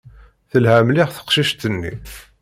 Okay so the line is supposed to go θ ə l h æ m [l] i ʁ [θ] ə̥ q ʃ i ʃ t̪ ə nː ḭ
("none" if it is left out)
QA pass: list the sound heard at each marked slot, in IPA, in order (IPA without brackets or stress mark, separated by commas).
l, θ